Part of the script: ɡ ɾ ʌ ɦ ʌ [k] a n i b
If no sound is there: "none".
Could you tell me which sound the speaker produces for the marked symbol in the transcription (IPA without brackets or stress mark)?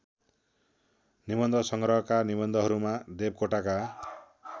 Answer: k